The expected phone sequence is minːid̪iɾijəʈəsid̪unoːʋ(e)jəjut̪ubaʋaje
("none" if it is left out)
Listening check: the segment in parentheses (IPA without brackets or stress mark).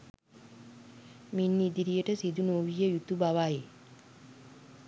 i